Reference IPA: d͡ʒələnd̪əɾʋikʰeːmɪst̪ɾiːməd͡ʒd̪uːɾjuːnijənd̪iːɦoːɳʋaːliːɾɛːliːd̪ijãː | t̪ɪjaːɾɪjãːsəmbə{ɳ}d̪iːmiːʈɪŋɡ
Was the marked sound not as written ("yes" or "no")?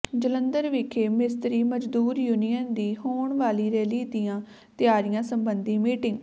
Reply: yes